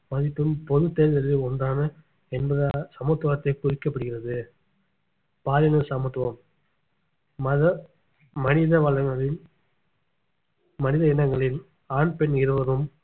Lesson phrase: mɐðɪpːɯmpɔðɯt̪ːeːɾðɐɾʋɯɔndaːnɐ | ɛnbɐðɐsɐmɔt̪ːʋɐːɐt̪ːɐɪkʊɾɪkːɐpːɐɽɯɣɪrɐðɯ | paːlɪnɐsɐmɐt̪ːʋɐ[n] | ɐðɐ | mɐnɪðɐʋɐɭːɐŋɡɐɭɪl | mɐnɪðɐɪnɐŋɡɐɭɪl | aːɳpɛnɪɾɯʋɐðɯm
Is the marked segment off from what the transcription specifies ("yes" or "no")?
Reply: yes